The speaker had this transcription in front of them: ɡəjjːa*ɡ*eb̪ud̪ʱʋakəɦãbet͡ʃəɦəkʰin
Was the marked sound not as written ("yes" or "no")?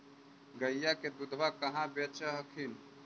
yes